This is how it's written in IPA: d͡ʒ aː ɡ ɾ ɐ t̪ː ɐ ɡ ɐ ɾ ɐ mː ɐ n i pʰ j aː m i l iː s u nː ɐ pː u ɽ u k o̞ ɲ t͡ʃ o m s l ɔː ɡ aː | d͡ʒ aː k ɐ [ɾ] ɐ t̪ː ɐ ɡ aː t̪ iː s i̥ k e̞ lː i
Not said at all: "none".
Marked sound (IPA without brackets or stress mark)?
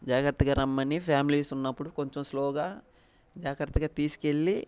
ɾ